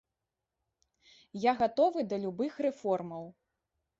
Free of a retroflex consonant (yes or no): yes